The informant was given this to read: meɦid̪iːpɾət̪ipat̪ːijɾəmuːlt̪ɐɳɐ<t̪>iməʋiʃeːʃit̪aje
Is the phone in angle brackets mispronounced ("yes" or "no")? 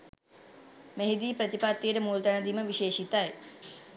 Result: yes